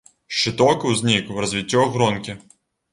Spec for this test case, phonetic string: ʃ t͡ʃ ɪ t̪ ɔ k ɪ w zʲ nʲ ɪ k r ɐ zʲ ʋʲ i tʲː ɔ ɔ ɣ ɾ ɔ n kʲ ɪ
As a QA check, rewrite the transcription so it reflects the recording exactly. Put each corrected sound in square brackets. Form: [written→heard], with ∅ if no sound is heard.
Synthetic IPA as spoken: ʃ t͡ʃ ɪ t̪ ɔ k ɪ w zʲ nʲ [ɪ→i] k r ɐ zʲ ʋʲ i tʲː ɔ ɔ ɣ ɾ ɔ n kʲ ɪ